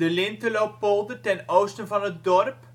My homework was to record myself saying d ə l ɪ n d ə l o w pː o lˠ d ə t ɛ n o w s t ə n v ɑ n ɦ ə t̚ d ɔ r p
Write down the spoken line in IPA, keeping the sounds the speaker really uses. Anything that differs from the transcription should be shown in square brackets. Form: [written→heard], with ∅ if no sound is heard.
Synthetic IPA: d ə l ɪ n [d→t] ə l o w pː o lˠ d ə t ɛ n o w s t ə n v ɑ n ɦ ə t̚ d ɔ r p